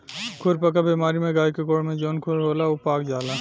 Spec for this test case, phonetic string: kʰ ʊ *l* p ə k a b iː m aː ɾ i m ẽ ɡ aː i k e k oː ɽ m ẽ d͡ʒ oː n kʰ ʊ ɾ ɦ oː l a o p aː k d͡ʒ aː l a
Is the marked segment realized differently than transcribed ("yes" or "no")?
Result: yes